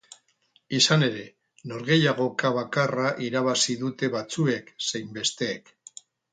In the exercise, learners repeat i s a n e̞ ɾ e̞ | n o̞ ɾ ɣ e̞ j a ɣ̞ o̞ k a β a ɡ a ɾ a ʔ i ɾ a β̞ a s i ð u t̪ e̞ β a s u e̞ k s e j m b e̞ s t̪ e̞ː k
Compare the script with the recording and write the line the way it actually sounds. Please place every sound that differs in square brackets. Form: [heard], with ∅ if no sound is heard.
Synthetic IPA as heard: i s a n e̞ ɾ e̞ | n o̞ ɾ ɣ e̞ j a ɣ̞ o̞ k a β a [k] a [r] a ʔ i ɾ a β̞ a s i ð u t̪ e̞ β a [t͡s] u e̞ k s e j m b e̞ s t̪ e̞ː k